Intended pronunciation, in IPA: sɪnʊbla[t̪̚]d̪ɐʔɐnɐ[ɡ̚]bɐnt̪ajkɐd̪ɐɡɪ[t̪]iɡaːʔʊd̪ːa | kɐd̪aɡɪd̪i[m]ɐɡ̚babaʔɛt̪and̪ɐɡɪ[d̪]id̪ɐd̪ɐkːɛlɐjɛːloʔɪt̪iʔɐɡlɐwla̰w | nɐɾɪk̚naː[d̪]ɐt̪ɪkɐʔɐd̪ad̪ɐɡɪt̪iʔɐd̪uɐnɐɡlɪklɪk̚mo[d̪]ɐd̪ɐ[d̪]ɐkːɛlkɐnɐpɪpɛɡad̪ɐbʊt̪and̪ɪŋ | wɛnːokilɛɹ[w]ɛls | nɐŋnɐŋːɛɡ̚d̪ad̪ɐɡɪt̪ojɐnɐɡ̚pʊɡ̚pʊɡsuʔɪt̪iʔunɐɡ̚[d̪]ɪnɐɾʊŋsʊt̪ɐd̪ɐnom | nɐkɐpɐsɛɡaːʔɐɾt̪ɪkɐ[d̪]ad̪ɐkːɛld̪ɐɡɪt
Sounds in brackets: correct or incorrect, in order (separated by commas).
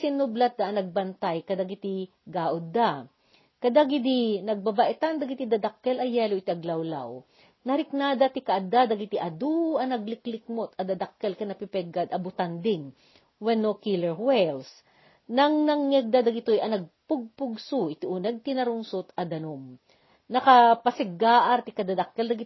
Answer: correct, correct, correct, incorrect, incorrect, correct, incorrect, correct, correct, incorrect, correct